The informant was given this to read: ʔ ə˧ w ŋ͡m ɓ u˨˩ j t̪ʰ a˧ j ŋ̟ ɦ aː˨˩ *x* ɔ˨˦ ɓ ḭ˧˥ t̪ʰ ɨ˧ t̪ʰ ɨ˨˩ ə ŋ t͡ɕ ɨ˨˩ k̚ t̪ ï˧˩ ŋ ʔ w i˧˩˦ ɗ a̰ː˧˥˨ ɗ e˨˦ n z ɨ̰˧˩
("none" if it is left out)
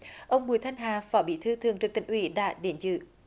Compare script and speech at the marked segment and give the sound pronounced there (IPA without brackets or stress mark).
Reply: f